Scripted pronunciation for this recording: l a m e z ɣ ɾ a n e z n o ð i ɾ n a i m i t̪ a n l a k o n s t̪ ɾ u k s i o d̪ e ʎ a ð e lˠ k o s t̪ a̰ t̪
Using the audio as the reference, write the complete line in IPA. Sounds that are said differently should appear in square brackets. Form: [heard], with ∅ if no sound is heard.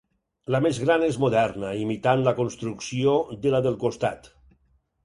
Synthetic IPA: l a m e z ɣ ɾ a n e z [m] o ð [ɛ] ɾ n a i m i t̪ a n l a k o n s t̪ ɾ u k s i o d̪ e [l] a ð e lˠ k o s t̪ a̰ t̪